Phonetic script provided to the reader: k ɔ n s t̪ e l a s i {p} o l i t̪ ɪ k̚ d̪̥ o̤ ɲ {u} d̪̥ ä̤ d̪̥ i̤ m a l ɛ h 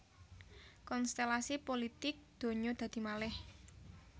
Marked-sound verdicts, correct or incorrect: correct, incorrect

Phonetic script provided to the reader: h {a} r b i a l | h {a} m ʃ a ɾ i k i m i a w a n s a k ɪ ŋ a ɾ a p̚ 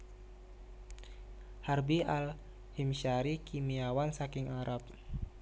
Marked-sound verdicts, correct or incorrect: correct, incorrect

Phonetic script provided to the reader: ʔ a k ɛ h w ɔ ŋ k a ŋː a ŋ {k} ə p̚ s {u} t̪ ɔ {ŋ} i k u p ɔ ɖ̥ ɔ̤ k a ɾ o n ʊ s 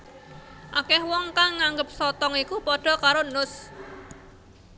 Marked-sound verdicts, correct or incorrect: incorrect, incorrect, correct

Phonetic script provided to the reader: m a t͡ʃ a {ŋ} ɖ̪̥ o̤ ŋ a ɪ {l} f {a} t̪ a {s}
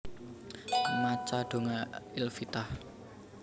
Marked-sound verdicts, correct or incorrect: incorrect, correct, incorrect, incorrect

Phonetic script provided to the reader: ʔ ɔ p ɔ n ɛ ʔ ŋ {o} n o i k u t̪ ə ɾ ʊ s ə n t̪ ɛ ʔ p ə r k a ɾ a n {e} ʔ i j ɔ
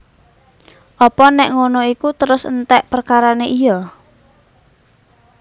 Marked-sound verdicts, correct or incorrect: correct, correct

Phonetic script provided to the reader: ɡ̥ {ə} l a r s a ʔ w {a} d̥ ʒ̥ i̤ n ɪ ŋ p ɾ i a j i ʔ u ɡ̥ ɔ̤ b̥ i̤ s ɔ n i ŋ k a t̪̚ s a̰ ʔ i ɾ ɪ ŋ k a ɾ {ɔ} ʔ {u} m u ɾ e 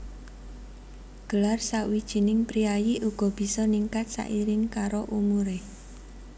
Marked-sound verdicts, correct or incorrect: correct, incorrect, incorrect, correct

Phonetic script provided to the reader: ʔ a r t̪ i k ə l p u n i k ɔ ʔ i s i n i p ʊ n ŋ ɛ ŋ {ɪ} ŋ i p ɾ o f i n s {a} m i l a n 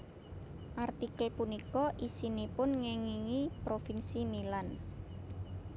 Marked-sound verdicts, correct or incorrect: incorrect, incorrect

